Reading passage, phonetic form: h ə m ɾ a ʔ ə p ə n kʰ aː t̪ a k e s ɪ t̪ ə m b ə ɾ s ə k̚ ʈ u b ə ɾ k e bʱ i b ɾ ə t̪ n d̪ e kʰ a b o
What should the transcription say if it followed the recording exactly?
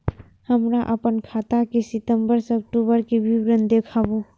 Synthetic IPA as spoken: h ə m ɾ a ʔ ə p ə n kʰ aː t̪ a k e s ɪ t̪ ə m b ə ɾ s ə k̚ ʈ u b ə ɾ k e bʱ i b ɾ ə n d̪ e kʰ a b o